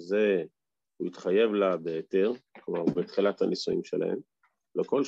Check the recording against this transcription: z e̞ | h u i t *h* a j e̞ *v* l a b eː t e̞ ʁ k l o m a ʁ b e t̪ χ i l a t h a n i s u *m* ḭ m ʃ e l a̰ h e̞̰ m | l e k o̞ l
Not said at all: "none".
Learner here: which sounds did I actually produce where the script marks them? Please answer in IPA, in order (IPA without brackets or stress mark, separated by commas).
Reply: χ, v, none